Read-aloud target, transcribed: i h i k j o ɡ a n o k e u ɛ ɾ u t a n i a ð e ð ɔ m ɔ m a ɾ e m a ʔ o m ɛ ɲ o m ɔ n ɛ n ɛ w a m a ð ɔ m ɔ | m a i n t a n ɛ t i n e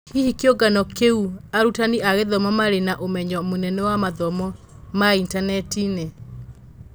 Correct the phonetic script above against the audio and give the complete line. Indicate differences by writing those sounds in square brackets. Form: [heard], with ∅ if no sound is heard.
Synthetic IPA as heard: i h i k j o ɡ a n [ɔ] k e u [a] ɾ u t a n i a [ɣ] e ð ɔ m ɔ m a ɾ e [n] a ʔ o m ɛ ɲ [ɔ] m [o] n ɛ n ɛ w a m a ð ɔ m ɔ | m a i n t a n ɛ t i n e